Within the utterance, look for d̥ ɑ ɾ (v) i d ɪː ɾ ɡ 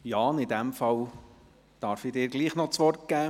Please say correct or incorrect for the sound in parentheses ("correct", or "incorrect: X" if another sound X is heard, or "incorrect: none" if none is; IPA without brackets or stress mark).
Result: incorrect: f